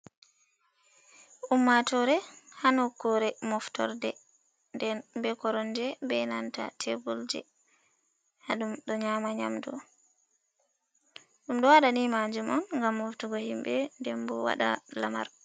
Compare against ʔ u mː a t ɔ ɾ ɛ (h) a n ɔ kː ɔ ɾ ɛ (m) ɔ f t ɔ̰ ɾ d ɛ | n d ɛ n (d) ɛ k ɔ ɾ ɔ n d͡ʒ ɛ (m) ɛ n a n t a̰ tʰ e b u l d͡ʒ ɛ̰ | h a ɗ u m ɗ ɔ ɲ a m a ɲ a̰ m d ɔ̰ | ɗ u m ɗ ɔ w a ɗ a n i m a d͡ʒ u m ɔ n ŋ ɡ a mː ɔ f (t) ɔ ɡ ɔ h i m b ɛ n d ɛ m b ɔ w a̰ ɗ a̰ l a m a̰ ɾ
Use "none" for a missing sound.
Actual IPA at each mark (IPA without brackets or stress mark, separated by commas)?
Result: h, m, b, b, t